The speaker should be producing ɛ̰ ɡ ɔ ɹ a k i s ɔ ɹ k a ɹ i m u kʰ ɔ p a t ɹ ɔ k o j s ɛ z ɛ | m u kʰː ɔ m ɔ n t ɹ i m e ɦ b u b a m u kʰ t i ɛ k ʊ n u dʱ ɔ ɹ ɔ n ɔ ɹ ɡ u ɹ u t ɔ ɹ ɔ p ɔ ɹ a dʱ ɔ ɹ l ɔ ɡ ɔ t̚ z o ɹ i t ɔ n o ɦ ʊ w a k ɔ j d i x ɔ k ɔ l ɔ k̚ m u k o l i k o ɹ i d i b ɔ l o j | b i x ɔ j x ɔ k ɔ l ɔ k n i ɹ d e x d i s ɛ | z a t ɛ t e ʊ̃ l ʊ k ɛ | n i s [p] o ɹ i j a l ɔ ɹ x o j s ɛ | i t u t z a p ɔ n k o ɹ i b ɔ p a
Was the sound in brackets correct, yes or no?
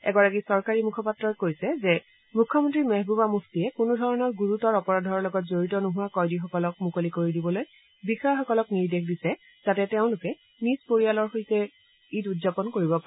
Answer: yes